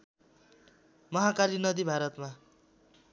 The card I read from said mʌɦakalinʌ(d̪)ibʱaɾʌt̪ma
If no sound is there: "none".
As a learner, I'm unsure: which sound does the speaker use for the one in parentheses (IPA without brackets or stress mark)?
d̪